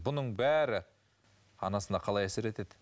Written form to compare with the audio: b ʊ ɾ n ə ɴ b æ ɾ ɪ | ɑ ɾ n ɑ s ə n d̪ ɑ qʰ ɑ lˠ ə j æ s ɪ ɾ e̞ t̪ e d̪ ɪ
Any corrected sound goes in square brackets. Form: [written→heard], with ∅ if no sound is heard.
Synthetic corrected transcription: b ʊ [ɾ→∅] n ə ɴ b æ ɾ ɪ | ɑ [ɾ→∅] n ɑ s ə n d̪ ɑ qʰ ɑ lˠ [ə→ɑ] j æ s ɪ ɾ e̞ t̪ e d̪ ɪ